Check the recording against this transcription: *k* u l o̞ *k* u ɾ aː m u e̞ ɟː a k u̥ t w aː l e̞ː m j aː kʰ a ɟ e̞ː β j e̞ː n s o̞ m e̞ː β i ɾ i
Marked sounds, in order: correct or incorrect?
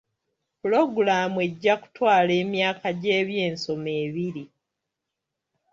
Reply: incorrect: p, incorrect: ɡ

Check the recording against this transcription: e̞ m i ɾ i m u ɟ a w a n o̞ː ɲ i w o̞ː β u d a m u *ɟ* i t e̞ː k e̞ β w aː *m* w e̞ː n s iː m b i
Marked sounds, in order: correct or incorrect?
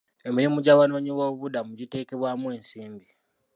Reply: correct, correct

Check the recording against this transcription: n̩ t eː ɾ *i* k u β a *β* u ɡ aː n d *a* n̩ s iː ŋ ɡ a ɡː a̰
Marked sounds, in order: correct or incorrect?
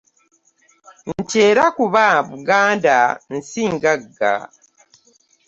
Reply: incorrect: a, correct, correct

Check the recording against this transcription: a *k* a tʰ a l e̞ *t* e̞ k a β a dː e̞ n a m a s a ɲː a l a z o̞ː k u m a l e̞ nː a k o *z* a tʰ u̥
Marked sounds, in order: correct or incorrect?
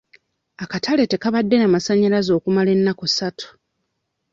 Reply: correct, correct, incorrect: s

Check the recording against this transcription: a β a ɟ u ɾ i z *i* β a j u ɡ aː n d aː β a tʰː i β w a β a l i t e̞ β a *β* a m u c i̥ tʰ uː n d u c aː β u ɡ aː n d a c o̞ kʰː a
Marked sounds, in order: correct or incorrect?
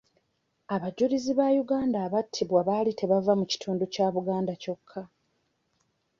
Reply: correct, incorrect: v

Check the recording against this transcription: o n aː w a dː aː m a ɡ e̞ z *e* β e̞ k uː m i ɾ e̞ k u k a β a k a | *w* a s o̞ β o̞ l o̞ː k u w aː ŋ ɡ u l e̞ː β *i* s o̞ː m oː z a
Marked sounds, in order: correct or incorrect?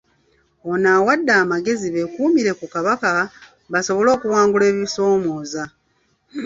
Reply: incorrect: i, incorrect: β, correct

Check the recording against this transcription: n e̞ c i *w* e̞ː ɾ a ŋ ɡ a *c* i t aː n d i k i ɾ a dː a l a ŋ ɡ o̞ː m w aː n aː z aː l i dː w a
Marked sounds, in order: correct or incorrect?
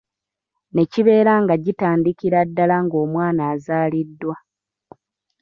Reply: incorrect: β, incorrect: ɟ

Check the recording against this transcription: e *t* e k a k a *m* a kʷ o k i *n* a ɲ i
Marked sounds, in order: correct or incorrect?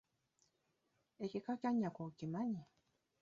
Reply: incorrect: k, incorrect: ɲ, incorrect: m

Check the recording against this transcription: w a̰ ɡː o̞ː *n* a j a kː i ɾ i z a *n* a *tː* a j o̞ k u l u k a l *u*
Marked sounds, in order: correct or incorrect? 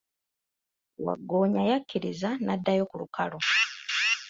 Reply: incorrect: ɲ, correct, incorrect: dː, incorrect: o

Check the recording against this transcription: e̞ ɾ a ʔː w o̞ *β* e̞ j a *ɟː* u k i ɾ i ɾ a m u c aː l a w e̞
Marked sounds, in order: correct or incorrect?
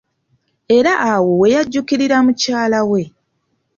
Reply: incorrect: w, correct

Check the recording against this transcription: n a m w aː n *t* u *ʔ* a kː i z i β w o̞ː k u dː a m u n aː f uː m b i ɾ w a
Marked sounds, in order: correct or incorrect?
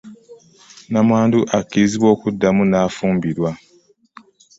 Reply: incorrect: d, correct

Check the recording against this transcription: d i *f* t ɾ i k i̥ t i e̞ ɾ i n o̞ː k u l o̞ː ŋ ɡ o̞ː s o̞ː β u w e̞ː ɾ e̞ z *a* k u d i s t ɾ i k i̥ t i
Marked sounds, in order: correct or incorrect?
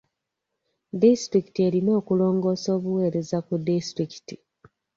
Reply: incorrect: s, correct

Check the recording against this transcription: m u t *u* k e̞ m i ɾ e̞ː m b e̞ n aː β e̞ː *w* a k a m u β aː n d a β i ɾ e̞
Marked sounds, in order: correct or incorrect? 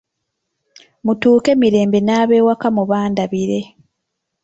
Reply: incorrect: uː, correct

